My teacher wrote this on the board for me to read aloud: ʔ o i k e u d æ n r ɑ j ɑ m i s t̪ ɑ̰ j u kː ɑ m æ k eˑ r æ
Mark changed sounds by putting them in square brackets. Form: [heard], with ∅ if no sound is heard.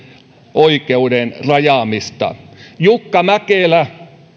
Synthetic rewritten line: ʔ o i k e u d [e] n r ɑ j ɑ m i s t̪ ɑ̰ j u kː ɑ m æ k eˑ [l] æ